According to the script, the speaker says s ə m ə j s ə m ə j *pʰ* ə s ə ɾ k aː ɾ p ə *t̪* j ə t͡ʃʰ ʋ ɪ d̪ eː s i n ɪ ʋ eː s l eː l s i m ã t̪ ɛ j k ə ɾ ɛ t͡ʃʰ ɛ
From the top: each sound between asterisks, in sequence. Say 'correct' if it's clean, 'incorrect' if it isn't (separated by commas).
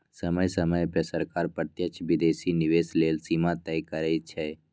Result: incorrect, correct